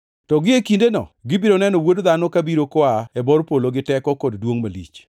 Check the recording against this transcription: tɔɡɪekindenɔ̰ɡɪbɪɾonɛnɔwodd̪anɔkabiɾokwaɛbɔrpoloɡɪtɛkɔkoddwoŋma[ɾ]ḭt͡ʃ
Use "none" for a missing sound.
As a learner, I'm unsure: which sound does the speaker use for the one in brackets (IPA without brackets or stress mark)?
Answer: l